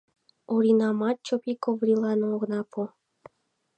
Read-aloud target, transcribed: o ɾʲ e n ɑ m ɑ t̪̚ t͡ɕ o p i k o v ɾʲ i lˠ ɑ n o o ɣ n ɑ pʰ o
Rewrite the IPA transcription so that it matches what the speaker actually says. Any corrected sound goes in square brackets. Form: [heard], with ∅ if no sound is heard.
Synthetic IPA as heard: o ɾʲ [i] n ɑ m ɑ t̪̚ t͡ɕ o p i k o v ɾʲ i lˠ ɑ n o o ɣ n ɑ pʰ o